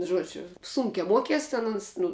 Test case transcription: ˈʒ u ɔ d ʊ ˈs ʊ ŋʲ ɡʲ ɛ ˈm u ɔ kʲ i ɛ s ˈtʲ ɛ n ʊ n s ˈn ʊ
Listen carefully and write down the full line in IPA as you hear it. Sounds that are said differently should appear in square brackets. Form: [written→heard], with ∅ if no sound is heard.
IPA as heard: ˈʒ u ɔ [d→d͡ʒʲ] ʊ ˈs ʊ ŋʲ [ɡʲ→kʲ] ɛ ˈm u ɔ kʲ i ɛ s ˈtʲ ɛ n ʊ n s ˈn ʊ